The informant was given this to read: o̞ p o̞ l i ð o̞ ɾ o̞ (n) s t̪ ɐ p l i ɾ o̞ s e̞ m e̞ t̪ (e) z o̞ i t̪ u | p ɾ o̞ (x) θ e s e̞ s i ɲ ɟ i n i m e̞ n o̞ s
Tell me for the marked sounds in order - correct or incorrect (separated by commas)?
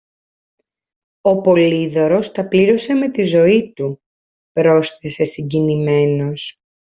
incorrect, incorrect, incorrect